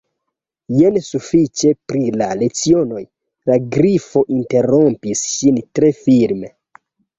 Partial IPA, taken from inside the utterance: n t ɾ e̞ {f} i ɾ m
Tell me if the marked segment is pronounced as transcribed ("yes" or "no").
yes